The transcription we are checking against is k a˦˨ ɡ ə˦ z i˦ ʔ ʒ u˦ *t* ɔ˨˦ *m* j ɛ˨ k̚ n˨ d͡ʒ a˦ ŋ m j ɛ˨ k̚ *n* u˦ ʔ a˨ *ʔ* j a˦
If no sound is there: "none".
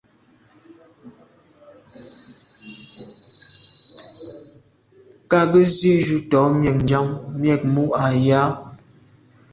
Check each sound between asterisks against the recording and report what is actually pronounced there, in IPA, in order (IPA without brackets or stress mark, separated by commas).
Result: t, m, m, none